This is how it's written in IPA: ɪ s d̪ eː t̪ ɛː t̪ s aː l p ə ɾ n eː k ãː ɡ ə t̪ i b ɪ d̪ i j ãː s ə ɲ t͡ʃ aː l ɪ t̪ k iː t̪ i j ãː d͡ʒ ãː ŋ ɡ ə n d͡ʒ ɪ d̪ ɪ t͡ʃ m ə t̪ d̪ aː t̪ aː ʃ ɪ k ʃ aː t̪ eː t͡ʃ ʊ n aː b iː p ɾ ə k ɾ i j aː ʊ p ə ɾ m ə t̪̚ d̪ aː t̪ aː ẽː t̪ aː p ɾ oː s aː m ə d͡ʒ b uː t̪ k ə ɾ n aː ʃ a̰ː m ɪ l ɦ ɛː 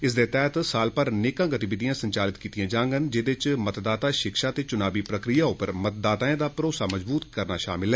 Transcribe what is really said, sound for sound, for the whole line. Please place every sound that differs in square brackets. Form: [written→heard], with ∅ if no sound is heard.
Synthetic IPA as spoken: ɪ s d̪ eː t̪ ɛː t̪ s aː l p ə ɾ n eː k ãː ɡ ə t̪ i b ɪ d̪ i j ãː s ə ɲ t͡ʃ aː l ɪ t̪ k iː t̪ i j ãː d͡ʒ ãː ŋ ɡ ə n d͡ʒ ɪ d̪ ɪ t͡ʃ m ə t̪ d̪ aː t̪ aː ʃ ɪ k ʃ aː t̪ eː t͡ʃ ʊ n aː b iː p ɾ ə k ɾ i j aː ʊ p ə ɾ m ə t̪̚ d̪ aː t̪ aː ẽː [t̪→d̪] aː p ɾ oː s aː m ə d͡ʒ b uː t̪ k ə ɾ n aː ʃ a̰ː m ɪ l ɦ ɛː